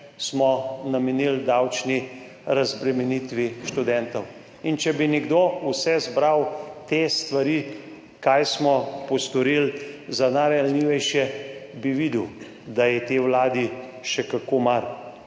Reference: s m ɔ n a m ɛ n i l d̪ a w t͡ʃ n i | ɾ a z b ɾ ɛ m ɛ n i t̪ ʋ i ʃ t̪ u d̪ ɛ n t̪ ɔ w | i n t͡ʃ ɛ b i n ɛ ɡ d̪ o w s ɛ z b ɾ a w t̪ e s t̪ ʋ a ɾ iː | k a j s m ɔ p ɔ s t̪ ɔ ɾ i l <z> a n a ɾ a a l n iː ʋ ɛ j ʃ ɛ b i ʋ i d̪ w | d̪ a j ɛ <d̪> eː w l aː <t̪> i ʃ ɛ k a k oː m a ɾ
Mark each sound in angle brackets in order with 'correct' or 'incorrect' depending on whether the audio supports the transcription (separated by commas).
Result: correct, incorrect, incorrect